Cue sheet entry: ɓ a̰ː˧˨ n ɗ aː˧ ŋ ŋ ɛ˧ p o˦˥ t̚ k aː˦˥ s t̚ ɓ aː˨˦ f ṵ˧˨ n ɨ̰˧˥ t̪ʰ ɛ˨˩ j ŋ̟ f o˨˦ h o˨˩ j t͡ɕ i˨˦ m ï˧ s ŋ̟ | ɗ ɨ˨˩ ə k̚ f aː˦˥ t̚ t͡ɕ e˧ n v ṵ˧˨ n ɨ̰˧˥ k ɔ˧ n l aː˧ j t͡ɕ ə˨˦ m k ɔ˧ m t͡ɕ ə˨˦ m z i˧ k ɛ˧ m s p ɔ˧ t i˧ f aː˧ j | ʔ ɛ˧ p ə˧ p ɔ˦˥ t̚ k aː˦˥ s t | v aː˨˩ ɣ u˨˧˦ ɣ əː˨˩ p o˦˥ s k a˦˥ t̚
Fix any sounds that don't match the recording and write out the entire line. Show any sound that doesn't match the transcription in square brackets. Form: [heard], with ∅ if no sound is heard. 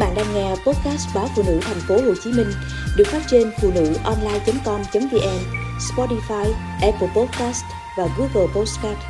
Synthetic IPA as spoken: ɓ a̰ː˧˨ n ɗ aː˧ ŋ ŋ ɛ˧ p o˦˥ t̚ k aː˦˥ s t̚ ɓ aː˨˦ f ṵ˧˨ n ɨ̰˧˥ t̪ʰ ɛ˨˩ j ŋ̟ f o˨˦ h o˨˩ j t͡ɕ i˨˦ m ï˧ [∅] ŋ̟ | ɗ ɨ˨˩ ə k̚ f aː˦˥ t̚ t͡ɕ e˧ n [f] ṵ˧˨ n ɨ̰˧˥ [ʔ] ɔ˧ n l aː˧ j t͡ɕ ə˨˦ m k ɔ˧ m t͡ɕ ə˨˦ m [v] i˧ [ʔ] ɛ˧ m s p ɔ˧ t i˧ f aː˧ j | ʔ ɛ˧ p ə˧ p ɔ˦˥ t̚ k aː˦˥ s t | v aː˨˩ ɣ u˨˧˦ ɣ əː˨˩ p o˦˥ s k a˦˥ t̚